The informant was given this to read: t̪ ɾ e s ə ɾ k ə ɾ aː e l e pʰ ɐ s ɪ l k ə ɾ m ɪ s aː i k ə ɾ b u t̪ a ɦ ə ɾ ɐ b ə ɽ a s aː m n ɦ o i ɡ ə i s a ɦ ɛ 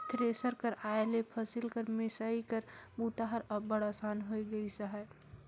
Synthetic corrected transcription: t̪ ɾ e s ə ɾ k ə ɾ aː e l e pʰ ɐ s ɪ l k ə ɾ m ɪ s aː i k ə ɾ b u t̪ a ɦ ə ɾ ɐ b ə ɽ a s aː n ɦ o i ɡ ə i s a ɦ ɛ